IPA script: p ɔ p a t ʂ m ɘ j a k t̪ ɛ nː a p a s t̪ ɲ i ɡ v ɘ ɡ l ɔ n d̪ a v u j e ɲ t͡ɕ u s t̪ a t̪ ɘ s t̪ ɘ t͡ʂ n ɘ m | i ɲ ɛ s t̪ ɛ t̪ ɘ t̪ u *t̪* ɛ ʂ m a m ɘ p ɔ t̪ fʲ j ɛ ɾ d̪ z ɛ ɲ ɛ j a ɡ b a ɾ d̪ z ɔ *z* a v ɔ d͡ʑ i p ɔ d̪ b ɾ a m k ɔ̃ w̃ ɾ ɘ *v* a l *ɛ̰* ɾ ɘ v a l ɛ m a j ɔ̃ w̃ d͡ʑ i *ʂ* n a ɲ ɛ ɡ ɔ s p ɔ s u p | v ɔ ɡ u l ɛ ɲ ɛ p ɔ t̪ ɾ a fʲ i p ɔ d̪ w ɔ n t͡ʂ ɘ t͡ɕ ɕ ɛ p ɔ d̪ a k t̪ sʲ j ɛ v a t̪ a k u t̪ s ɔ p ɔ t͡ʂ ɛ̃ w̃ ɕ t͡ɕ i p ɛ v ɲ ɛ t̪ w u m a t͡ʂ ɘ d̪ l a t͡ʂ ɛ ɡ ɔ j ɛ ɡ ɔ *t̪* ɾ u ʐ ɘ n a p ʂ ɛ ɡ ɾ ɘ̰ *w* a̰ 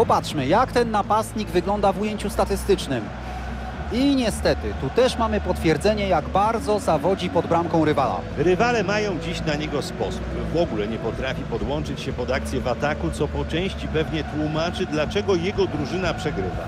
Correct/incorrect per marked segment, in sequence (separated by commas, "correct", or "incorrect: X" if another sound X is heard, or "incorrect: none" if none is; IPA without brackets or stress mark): correct, correct, correct, incorrect: a̰, incorrect: ɕ, incorrect: d̪, incorrect: v